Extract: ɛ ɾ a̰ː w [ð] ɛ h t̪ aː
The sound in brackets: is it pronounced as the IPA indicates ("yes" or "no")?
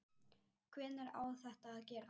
no